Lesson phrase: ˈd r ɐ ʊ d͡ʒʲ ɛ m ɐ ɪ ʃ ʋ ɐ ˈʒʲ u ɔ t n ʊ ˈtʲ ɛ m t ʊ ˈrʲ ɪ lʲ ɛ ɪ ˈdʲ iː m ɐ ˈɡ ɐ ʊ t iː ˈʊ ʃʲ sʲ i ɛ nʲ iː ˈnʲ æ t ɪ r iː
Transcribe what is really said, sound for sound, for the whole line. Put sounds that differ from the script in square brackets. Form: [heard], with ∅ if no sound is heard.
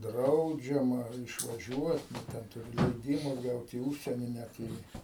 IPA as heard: ˈd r ɐ ʊ d͡ʒʲ ɛ m ɐ ɪ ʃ ʋ ɐ ˈʒʲ u ɔ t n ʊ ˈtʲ ɛ [n] t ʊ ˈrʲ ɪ lʲ ɛ ɪ ˈdʲ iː m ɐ ˈɡ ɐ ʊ t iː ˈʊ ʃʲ sʲ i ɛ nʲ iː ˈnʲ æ t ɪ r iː